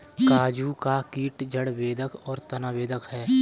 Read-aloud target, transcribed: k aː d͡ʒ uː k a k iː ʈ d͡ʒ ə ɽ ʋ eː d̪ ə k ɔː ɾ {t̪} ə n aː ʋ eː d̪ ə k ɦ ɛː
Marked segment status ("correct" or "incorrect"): correct